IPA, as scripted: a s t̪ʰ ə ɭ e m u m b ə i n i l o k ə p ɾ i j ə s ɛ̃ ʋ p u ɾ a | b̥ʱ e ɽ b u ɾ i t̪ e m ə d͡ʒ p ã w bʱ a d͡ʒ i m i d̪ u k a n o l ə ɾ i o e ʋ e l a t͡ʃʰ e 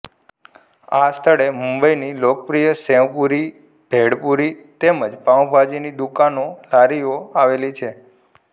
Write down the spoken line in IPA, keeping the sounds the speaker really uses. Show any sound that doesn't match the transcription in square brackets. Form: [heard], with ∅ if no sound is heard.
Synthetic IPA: a s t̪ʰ ə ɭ e m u m b ə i n i l o k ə p ɾ i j ə s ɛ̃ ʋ p u ɾ [i] | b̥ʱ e ɽ [p] u ɾ i t̪ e m ə d͡ʒ p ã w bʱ a d͡ʒ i [n] i d̪ u k a n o l [a] ɾ i o [a] ʋ e l [i] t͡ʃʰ e